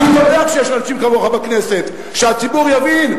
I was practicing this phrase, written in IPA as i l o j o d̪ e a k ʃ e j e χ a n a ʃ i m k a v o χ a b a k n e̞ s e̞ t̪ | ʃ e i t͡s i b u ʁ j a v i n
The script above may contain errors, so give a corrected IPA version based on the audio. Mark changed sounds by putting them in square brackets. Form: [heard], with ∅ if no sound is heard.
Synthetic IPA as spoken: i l o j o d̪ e a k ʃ e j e [ʃ] a n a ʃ i m k a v o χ a b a k n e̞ s e̞ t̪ | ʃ e [a] t͡s i b u ʁ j a v i n